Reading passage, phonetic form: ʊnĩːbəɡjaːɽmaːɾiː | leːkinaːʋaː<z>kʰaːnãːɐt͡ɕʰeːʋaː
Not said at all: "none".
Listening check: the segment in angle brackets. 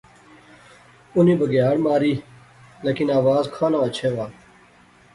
z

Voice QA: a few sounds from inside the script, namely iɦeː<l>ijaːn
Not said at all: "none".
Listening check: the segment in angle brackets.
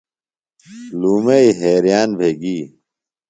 ɾ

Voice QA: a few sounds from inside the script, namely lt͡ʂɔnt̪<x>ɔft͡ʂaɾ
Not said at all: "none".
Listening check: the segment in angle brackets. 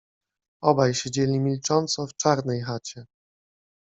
s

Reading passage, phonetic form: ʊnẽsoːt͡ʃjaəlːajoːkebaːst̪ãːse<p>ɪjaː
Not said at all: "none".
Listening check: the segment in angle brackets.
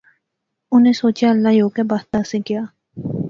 k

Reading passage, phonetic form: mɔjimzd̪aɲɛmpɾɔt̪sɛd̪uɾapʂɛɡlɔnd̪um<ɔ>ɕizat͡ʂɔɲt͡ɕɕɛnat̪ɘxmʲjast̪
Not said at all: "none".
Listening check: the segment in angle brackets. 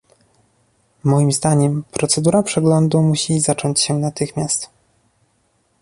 u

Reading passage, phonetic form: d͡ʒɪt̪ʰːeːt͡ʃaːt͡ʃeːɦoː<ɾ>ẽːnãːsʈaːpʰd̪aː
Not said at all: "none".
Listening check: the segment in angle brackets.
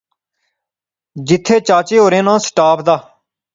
ɾ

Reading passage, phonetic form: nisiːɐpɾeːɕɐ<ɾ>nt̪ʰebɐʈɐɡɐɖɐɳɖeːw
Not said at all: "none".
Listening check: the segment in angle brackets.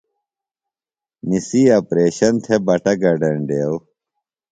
none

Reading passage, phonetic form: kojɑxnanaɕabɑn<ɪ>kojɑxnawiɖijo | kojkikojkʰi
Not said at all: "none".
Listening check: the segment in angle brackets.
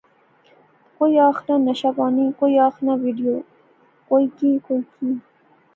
i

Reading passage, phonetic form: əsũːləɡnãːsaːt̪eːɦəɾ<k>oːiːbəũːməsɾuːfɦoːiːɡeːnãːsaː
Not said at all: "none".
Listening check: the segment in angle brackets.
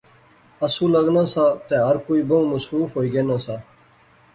k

